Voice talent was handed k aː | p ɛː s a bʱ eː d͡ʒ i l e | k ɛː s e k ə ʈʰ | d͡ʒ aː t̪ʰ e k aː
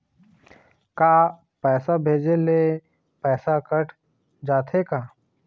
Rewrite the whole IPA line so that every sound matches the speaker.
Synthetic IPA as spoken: k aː | p ɛː s a bʱ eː d͡ʒ e l e | p ɛː s a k ə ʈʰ | d͡ʒ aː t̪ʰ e k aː